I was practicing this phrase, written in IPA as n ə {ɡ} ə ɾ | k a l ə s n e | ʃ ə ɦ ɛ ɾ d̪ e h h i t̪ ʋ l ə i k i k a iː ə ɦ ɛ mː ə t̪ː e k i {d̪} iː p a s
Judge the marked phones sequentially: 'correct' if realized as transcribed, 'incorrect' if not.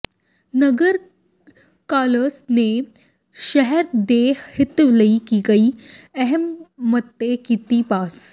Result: correct, incorrect

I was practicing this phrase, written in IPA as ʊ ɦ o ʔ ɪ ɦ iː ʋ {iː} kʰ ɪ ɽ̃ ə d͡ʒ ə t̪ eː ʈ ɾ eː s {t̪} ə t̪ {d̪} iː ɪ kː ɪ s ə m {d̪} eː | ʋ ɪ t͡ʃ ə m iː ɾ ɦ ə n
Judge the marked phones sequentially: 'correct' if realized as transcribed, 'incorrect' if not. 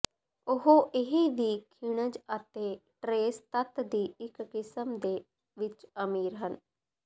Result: correct, correct, correct, correct

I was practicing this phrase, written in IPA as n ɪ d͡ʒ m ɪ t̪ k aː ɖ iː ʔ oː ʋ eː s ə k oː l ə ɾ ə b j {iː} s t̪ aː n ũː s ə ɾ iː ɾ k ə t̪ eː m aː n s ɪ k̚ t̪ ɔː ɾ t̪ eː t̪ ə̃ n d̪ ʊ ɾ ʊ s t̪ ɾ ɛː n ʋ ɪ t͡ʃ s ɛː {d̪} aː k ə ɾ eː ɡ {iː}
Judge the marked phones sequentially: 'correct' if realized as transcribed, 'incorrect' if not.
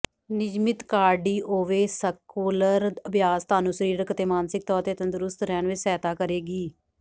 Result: incorrect, incorrect, correct

